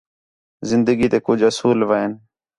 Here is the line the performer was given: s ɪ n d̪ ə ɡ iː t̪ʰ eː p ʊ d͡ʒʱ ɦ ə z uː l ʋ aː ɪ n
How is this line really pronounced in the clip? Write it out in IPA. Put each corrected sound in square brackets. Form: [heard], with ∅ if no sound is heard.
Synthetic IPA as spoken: [z] ɪ n d̪ ə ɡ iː [t̪] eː [k] ʊ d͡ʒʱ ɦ ə [s] uː l ʋ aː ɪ n